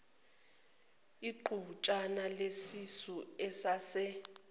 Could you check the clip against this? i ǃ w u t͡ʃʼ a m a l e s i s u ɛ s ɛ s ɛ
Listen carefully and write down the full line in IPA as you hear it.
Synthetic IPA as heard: i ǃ u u t͡ʃʼ a n a l e s i s u ɛ s a s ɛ